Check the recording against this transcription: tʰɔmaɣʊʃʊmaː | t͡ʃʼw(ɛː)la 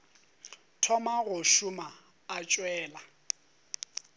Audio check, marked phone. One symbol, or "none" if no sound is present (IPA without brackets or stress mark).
ɛː